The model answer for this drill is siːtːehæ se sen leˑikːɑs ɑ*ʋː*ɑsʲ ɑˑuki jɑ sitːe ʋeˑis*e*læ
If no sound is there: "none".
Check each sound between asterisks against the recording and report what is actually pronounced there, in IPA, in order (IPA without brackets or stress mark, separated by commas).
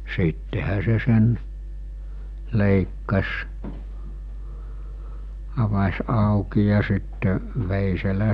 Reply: ʋ, e